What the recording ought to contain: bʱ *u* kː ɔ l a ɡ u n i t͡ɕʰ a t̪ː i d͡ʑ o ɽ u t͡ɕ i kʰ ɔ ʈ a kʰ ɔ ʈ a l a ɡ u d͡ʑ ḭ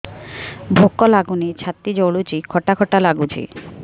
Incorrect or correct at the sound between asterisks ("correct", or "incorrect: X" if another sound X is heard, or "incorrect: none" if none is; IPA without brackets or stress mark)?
incorrect: o